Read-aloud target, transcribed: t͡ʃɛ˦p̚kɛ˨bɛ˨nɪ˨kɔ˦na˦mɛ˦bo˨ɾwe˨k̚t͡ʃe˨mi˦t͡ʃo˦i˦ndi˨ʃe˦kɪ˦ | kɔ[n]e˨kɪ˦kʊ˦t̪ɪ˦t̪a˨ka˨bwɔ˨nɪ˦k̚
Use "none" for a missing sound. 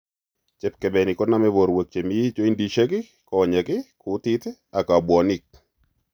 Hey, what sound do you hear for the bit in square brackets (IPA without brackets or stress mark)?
ɲ